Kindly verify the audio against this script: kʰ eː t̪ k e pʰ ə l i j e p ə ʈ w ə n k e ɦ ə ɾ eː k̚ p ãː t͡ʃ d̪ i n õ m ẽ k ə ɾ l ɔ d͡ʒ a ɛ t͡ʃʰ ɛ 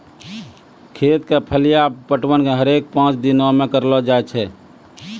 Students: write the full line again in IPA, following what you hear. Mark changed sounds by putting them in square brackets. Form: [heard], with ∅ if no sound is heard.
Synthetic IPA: kʰ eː t̪ k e pʰ ə l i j [a] p ə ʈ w ə n k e ɦ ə ɾ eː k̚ p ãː t͡ʃ d̪ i n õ m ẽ k ə ɾ l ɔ d͡ʒ a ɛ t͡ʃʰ ɛ